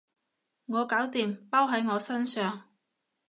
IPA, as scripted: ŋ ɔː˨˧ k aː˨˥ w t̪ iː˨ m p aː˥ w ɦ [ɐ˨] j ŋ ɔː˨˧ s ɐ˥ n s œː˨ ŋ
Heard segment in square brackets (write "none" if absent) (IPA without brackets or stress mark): ɐ˨˥